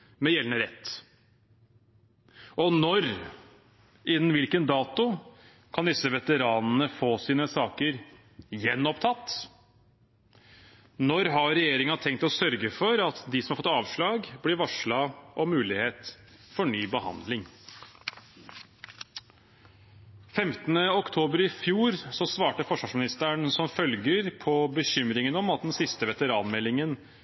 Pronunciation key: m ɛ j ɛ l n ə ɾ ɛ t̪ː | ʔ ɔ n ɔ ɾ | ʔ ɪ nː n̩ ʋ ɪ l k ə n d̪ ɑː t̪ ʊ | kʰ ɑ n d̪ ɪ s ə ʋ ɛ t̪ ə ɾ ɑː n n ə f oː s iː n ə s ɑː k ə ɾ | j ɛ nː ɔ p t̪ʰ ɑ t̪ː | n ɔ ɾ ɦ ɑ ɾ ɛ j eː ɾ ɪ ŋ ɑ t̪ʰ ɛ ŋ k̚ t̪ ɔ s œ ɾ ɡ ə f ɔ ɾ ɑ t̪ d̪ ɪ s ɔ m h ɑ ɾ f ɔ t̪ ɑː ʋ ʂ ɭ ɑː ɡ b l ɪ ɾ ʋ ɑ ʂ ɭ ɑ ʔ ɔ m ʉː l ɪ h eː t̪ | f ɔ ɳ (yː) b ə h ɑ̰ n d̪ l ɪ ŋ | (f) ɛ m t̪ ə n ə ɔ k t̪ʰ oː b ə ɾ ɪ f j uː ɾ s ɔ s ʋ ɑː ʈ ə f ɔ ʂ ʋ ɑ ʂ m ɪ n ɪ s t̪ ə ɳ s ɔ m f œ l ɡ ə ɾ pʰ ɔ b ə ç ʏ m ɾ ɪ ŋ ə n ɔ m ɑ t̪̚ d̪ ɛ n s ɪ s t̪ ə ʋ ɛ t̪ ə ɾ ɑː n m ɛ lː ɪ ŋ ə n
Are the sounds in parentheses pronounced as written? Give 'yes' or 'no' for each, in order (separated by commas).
yes, yes